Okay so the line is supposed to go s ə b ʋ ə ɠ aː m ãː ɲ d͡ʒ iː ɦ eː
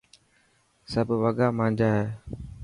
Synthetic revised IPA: s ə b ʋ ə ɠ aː m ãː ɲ d͡ʒ aː ɦ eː